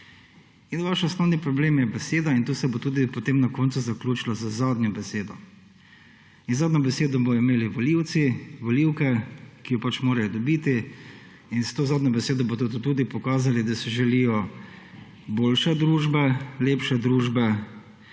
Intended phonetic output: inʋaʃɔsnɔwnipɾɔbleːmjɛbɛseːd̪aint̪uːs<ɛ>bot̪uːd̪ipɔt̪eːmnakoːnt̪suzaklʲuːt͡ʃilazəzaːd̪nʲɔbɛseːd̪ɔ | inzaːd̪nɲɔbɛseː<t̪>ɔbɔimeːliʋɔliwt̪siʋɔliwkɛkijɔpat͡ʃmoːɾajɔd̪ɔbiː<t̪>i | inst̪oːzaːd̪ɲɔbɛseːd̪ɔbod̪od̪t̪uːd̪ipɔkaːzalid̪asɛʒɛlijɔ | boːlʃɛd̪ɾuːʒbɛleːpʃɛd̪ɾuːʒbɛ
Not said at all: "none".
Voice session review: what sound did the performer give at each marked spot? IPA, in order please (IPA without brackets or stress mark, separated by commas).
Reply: ɛ, d̪, t̪